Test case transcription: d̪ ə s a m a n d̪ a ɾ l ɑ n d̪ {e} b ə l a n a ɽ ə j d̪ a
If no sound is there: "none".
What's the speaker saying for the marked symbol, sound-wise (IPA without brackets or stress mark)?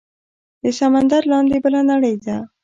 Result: e